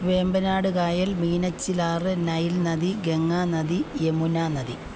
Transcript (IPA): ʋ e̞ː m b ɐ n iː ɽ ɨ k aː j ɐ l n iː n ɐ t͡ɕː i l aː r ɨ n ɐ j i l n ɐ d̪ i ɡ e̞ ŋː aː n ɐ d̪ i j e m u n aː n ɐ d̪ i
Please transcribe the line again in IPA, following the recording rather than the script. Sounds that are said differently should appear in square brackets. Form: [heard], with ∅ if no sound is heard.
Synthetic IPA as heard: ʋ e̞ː m b ɐ n [aː] ɽ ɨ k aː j ɐ l [m] iː n ɐ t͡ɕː i l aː r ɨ n ɐ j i l n ɐ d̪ i ɡ e̞ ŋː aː n ɐ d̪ i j e m u n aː n ɐ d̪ i